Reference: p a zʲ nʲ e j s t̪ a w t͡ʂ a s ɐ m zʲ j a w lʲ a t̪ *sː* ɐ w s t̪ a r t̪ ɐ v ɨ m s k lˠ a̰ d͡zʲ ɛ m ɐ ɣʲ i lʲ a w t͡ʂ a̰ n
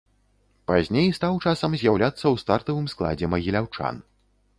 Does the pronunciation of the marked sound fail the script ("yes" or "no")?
no